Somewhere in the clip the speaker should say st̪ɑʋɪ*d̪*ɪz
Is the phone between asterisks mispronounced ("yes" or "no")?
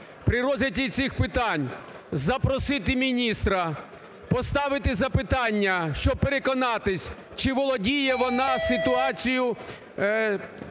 yes